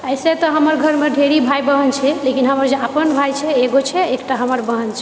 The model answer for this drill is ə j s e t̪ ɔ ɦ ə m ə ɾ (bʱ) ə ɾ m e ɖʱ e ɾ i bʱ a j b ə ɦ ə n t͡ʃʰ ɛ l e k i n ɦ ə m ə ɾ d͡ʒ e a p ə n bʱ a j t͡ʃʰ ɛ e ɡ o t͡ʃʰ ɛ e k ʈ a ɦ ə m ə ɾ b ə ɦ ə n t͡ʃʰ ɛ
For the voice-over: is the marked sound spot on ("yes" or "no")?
no